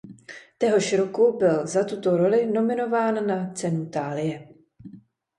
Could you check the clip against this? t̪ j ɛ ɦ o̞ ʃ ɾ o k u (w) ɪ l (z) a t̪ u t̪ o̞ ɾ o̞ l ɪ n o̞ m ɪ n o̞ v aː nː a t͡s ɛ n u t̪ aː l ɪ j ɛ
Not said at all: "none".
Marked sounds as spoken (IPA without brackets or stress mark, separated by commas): b, z